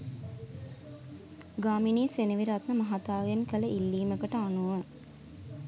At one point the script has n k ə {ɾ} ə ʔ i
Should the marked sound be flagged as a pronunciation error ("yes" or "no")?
yes